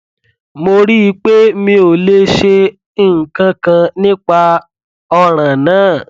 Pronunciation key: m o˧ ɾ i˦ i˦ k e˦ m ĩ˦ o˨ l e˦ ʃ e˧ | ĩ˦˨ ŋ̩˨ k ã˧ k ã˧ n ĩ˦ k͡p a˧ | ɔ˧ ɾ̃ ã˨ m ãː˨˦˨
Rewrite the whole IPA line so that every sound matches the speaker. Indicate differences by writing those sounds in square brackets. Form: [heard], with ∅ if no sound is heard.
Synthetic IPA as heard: m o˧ ɾ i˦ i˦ [k͡p] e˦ m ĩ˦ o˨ l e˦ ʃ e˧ | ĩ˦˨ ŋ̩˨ k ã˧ k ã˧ n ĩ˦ k͡p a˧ | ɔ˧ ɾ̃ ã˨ [n] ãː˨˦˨